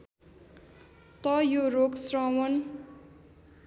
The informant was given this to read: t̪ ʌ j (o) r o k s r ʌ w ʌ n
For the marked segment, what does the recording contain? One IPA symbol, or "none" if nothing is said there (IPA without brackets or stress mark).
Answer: o